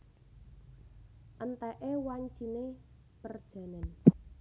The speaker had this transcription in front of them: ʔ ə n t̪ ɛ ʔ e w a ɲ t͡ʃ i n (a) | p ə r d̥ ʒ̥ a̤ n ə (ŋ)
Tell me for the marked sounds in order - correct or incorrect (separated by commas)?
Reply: incorrect, incorrect